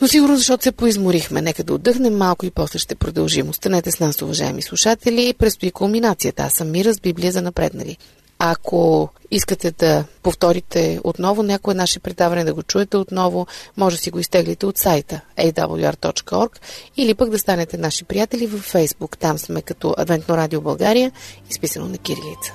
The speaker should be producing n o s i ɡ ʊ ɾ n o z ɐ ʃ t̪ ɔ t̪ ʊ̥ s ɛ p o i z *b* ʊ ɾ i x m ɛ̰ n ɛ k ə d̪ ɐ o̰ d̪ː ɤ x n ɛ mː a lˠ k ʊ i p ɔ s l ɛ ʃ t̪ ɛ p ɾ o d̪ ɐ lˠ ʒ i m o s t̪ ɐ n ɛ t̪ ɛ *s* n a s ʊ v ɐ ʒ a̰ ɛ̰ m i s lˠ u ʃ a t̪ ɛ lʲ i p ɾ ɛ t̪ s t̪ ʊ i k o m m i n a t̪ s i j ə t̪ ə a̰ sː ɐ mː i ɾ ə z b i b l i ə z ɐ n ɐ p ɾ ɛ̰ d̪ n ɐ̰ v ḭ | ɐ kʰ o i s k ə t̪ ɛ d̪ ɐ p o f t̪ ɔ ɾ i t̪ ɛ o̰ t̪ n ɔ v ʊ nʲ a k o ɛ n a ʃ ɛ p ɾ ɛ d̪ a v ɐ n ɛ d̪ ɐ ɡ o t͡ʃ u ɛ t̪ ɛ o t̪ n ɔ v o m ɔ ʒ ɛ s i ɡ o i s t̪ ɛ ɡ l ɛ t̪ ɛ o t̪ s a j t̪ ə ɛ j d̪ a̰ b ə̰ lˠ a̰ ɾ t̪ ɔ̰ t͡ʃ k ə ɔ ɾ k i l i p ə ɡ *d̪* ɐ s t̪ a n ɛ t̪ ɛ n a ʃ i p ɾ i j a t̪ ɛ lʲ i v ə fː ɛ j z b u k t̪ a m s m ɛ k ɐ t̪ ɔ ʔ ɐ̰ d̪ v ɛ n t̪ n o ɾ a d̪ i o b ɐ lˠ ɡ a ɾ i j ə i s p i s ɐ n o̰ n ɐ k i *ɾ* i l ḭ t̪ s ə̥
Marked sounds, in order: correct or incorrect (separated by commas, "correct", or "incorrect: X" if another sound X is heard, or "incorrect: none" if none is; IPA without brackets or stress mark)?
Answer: incorrect: m, correct, correct, correct